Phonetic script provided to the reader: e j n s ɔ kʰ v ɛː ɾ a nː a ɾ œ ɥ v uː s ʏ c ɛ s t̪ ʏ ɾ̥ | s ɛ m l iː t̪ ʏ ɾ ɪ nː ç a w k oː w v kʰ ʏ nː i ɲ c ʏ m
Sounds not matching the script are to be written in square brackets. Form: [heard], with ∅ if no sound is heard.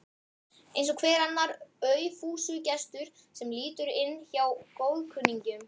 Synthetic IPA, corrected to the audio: e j n s ɔ kʰ v ɛː ɾ a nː a ɾ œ ɥ [f] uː s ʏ c ɛ s t̪ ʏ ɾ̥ | s ɛ m l iː t̪ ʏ ɾ ɪ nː ç a w k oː w [ð] kʰ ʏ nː i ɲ c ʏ m